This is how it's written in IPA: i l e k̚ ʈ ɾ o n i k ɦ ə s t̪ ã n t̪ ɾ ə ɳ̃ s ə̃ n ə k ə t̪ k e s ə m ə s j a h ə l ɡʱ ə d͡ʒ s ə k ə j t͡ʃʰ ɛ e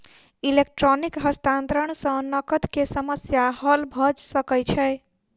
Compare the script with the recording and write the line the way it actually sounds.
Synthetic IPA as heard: i l e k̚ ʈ ɾ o n i k ɦ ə s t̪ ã n t̪ ɾ ə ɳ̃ s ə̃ n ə k ə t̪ k e s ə m ə s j a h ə l bʱ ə d͡ʒ s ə k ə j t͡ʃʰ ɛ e